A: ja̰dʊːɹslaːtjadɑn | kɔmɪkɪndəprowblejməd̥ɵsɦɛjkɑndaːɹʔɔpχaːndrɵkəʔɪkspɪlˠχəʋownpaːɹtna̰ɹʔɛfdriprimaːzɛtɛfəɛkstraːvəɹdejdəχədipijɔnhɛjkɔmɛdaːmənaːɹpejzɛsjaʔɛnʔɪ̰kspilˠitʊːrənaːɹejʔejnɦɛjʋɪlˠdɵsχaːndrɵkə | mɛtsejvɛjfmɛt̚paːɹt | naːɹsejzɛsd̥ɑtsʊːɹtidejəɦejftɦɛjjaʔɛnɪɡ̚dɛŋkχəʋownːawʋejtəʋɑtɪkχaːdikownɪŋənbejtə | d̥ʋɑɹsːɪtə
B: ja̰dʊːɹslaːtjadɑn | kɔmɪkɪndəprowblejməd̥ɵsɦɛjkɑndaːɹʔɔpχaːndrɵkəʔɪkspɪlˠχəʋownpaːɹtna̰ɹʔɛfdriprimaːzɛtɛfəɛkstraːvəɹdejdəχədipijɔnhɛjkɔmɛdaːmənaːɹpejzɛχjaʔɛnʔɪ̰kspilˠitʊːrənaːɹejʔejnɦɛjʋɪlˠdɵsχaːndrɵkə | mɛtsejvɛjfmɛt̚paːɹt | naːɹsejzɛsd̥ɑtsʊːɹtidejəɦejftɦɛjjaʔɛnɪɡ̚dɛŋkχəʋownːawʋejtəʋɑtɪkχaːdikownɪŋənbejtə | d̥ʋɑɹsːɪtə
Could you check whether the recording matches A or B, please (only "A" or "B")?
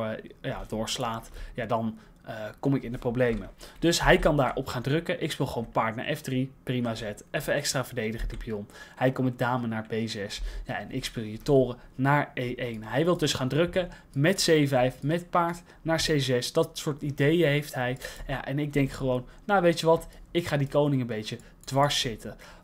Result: A